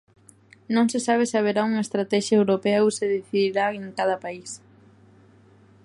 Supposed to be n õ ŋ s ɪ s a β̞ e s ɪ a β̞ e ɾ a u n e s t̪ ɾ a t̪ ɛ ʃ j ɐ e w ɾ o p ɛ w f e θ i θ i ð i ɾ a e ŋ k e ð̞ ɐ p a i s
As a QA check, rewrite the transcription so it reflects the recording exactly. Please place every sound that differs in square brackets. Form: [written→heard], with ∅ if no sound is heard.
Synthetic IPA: n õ ŋ s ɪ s a β̞ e s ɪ a β̞ e ɾ a u [n→ŋ] e s t̪ ɾ a t̪ ɛ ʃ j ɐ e w ɾ o p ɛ w [f→s] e [θ→ð] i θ i ð i ɾ a e ŋ k [e→a] ð̞ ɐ p a i s